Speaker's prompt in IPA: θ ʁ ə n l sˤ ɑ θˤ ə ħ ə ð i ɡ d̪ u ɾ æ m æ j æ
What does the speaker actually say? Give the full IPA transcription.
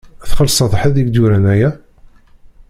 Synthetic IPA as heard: θ χ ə l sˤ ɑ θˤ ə ħ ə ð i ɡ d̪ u ɾ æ n æ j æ